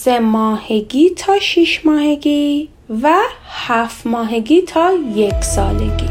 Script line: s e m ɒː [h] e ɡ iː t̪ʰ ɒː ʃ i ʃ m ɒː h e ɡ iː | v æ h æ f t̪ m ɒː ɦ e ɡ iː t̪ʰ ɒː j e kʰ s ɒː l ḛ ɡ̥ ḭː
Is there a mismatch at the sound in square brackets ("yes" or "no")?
no